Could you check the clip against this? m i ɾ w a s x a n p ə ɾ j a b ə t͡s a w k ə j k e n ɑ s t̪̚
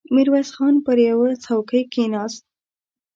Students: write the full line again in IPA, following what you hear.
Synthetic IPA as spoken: m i ɾ w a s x ɑ n p ə ɾ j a w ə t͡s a w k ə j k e n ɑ s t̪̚